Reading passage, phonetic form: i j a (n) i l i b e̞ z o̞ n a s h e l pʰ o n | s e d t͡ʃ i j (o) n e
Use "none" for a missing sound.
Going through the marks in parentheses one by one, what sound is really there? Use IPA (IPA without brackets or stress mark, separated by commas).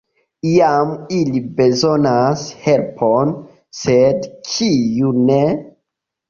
m, u